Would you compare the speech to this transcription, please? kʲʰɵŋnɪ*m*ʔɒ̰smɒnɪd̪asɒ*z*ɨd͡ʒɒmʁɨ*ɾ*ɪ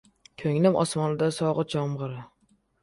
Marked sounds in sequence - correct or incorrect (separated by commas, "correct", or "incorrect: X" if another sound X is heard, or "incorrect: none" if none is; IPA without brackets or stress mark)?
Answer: correct, incorrect: ʁ, correct